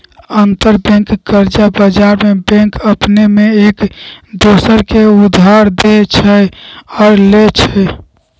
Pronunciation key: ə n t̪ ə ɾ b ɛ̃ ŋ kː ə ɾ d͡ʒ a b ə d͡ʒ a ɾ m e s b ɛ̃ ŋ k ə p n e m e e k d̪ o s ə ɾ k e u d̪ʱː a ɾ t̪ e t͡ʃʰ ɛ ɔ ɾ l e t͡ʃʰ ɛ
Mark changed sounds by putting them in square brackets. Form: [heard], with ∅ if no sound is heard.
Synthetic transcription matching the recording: ə n t̪ ə ɾ b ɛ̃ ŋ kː ə ɾ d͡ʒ a b ə d͡ʒ a ɾ m e [∅] b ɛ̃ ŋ k ə p n e m e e k d̪ o s ə ɾ k e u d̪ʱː a ɾ [d̪] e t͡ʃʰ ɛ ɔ ɾ l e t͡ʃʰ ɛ